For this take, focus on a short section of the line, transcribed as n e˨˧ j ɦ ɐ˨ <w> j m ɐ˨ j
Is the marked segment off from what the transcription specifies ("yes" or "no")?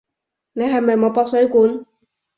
yes